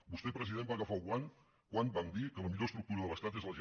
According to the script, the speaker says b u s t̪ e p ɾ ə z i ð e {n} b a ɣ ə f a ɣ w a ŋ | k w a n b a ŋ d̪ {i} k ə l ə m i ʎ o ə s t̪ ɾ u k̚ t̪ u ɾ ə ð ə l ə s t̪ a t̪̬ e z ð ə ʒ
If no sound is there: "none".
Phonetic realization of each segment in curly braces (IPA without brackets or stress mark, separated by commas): m, i